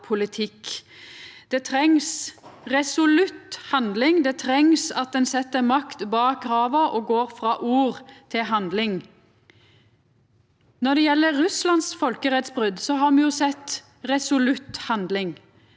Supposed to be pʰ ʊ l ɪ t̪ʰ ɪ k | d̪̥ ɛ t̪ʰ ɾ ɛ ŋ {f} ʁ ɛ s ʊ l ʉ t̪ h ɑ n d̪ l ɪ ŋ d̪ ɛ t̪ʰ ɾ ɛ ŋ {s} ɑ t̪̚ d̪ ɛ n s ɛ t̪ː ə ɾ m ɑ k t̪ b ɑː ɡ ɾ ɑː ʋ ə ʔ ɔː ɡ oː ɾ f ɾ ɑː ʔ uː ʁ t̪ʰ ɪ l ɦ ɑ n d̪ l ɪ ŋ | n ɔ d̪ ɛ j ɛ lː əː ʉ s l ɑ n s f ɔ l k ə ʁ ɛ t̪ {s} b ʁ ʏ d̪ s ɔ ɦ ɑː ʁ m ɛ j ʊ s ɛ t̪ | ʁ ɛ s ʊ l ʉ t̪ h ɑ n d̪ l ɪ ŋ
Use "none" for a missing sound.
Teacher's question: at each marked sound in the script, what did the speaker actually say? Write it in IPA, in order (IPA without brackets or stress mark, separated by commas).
s, s, s